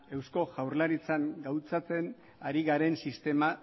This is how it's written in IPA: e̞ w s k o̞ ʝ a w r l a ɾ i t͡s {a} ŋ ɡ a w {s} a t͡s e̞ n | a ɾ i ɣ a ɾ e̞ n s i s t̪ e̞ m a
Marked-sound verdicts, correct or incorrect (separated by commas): correct, incorrect